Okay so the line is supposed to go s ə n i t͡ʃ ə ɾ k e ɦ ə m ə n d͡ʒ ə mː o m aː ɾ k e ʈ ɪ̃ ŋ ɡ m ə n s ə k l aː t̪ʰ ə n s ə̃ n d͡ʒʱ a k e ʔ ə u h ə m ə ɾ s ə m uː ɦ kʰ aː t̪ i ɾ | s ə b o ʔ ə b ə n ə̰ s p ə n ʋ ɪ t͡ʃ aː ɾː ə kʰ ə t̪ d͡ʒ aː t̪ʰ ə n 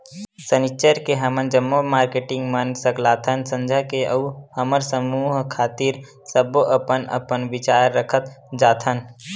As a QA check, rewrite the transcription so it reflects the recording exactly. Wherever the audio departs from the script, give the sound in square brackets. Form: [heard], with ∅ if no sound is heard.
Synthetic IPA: s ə n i t͡ʃ ə ɾ k e ɦ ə m ə n d͡ʒ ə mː o m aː ɾ k e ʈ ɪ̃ ŋ ɡ m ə n s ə k l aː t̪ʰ ə n s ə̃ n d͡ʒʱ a k e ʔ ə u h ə m ə ɾ s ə m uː ɦ kʰ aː t̪ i ɾ | s ə b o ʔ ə [p] ə n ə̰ [∅] p ə n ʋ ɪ t͡ʃ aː ɾː ə kʰ ə t̪ d͡ʒ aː t̪ʰ ə n

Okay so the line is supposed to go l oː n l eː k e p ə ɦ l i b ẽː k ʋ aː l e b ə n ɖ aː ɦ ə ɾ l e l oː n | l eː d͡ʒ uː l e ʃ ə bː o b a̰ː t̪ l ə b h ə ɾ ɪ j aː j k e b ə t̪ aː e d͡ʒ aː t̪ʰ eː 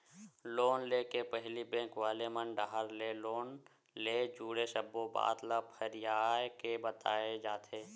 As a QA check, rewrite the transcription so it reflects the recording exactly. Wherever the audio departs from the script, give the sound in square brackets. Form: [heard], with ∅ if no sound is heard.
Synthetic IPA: l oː n l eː k e p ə ɦ l i b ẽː k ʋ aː l e [m] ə n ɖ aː ɦ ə ɾ l e l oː n | l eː d͡ʒ uː [ɽ] e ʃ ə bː o b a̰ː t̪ l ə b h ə ɾ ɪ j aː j k e b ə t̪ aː e d͡ʒ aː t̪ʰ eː

